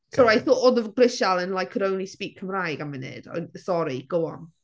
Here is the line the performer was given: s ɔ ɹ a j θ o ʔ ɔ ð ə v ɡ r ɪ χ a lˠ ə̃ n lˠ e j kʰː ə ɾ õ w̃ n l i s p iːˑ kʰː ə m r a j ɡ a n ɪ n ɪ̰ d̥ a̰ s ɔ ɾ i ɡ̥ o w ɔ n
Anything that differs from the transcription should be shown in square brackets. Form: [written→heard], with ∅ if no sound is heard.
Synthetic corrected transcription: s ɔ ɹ a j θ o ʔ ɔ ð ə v ɡ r ɪ [χ→ʃ] a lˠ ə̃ n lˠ [e→a] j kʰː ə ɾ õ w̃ n l i s p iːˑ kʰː ə m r a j ɡ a [n→m] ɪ n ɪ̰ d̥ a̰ s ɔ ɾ i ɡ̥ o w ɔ n